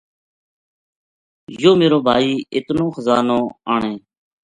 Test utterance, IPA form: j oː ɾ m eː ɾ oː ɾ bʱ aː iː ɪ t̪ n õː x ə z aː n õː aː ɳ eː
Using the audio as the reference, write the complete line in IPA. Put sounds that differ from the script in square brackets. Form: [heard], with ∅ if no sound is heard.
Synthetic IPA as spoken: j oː [∅] m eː ɾ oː [∅] bʱ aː iː ɪ t̪ n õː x ə z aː n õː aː ɳ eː

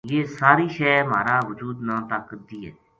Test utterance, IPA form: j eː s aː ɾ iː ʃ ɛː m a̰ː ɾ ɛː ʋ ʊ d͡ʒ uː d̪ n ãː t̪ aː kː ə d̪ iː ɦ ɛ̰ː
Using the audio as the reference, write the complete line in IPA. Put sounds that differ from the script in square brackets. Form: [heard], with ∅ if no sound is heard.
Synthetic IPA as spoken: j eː s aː ɾ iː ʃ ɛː m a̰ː ɾ [aː] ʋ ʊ d͡ʒ uː d̪ n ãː t̪ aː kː ə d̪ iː ɦ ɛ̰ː

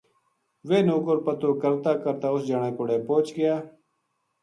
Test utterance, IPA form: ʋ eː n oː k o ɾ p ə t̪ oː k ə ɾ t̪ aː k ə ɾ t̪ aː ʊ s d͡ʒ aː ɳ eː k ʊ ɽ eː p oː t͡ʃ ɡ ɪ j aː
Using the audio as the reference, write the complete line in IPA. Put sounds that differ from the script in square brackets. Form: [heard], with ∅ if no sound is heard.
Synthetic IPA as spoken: ʋ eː n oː k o ɾ p ə t̪ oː k ə ɾ t̪ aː k ə ɾ t̪ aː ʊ s d͡ʒ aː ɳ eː k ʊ ɽ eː p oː t͡ʃ ɡ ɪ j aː

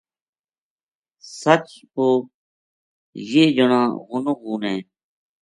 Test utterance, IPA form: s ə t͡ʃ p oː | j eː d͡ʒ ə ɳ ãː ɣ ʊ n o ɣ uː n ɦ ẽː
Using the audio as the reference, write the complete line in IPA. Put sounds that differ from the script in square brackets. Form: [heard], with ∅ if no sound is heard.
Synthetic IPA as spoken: s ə t͡ʃ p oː | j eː d͡ʒ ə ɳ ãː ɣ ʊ n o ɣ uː n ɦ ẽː

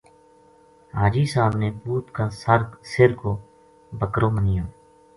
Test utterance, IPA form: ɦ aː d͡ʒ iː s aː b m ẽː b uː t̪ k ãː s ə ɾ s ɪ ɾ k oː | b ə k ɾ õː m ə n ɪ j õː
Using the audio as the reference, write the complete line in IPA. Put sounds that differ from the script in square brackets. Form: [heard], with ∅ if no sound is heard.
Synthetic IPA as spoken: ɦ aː d͡ʒ iː s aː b [n] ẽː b uː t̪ k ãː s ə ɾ s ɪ ɾ k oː | b ə k ɾ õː m ə n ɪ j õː

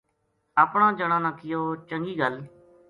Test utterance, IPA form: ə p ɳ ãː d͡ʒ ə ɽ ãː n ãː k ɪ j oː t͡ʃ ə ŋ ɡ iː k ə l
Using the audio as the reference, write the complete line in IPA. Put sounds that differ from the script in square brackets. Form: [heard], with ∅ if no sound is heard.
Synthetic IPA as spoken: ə p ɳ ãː d͡ʒ ə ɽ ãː n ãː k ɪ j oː t͡ʃ ə ŋ ɡ iː [ɡ] ə l

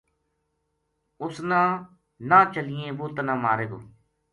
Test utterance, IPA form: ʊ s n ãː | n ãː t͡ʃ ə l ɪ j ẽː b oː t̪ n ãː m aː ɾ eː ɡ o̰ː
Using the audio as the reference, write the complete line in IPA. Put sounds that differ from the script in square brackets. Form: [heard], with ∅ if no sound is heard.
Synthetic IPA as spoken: ʊ s n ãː | n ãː t͡ʃ ə l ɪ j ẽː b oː t̪ n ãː m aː ɾ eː ɡ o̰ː

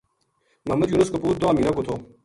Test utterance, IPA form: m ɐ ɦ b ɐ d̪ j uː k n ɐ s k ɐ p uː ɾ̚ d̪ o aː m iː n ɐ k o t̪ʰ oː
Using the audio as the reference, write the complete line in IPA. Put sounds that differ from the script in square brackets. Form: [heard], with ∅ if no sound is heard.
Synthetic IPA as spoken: m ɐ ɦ [m] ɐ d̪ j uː [∅] n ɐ s k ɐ p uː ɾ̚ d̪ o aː m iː n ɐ k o t̪ʰ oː

